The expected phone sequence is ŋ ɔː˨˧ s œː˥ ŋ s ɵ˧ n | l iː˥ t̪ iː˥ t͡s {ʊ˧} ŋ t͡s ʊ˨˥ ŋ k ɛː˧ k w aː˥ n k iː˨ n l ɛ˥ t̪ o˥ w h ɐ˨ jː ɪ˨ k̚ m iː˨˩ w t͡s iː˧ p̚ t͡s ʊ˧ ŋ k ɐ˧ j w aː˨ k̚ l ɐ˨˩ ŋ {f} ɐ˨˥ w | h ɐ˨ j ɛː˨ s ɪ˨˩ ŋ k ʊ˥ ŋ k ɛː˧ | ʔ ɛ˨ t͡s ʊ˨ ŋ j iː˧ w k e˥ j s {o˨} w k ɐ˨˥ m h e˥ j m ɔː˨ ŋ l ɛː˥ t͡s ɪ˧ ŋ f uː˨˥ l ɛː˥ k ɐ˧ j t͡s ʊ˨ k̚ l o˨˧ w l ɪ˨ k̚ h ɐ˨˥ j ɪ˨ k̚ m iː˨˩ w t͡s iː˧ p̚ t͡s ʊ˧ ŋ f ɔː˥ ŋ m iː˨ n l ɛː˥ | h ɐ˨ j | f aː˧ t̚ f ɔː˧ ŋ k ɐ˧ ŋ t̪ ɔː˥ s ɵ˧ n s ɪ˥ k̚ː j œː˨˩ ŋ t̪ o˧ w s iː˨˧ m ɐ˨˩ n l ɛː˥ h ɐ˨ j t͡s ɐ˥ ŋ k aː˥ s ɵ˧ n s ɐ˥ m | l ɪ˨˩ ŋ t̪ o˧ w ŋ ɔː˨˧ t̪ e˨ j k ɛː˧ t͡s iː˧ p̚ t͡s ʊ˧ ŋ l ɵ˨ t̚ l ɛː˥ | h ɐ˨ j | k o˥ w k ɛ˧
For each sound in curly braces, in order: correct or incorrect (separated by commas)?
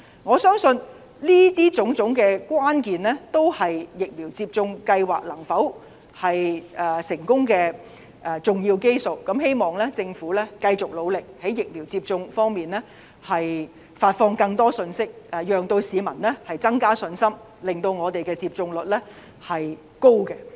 incorrect, correct, correct